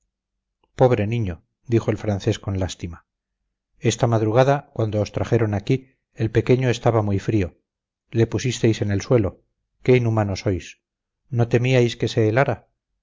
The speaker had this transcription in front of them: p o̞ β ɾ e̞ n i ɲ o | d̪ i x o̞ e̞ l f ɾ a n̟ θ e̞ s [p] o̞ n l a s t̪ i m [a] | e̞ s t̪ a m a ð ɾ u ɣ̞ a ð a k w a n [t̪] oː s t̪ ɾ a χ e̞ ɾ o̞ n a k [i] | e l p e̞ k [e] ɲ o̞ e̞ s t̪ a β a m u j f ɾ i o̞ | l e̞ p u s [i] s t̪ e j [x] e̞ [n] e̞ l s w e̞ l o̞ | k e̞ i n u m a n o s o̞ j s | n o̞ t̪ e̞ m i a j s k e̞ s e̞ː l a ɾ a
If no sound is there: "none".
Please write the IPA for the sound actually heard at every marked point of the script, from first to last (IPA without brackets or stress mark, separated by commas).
k, a, d̪, i, e, i, s, n